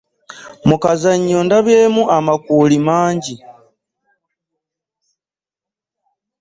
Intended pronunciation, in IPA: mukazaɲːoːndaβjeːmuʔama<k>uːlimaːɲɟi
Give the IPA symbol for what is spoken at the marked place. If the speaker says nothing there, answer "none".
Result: k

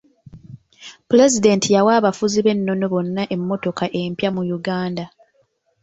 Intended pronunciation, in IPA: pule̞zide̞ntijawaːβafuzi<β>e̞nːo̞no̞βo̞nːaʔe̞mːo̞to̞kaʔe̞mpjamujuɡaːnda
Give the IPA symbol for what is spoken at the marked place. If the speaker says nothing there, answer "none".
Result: β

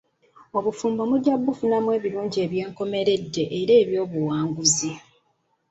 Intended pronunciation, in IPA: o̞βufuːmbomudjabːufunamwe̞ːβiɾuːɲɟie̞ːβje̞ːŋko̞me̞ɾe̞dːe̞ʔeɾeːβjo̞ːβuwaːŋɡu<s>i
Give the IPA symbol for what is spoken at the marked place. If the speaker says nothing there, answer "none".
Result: z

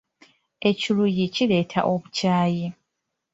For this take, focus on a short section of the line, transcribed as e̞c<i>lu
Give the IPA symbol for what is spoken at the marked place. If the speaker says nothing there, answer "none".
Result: i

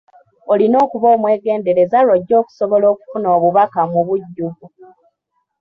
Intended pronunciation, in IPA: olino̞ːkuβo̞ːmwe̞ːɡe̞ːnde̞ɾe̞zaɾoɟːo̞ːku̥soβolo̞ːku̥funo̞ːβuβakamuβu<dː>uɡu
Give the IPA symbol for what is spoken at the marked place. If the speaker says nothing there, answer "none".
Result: ɟː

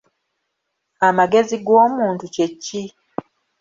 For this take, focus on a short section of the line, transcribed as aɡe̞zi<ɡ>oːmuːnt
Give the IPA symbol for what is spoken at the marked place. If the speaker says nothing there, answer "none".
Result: ɡ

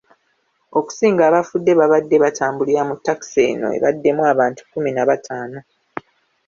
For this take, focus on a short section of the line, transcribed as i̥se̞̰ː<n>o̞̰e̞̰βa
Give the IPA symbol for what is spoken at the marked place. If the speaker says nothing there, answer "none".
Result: n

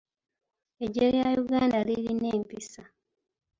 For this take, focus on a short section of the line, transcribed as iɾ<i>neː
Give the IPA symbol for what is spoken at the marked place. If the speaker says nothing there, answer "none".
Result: i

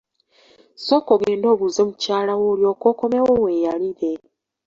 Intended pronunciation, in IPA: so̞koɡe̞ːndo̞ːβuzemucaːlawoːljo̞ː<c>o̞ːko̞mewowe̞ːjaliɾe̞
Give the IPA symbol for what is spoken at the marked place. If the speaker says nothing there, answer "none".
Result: k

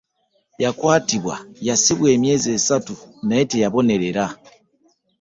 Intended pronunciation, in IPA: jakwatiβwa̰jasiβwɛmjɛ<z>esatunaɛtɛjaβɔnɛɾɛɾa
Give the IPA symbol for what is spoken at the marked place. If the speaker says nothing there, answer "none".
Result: z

